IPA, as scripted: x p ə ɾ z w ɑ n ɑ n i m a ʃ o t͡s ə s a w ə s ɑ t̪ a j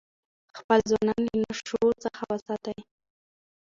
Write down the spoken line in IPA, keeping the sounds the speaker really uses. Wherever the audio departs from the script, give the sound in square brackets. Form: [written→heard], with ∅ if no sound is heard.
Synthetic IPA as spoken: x p ə [ɾ→l] z w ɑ n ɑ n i [m→n] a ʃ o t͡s ə [s→x] a w ə s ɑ t̪ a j